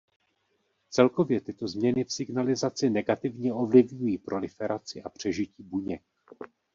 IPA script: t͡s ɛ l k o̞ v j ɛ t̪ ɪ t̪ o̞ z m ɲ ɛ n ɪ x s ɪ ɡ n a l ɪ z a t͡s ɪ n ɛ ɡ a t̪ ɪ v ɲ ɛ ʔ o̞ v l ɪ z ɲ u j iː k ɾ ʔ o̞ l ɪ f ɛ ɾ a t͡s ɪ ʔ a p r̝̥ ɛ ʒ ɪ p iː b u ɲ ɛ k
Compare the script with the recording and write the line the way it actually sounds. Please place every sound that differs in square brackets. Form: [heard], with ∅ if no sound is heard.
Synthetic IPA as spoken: t͡s ɛ l k o̞ v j ɛ t̪ ɪ t̪ o̞ z m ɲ ɛ n ɪ [f] s ɪ ɡ n a l ɪ z a t͡s ɪ n ɛ ɡ a t̪ ɪ v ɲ ɛ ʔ o̞ v l ɪ [v] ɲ u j iː [p] ɾ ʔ o̞ l ɪ f ɛ ɾ a t͡s ɪ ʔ a p r̝̥ ɛ ʒ ɪ [c] iː b u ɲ ɛ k